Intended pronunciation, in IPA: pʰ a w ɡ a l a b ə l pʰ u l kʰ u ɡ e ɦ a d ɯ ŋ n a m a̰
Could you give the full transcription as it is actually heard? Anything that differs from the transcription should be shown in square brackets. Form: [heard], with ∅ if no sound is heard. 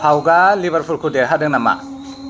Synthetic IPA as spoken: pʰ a w ɡ a l [i] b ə [ɾ] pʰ u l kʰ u [d] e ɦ a d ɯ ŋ n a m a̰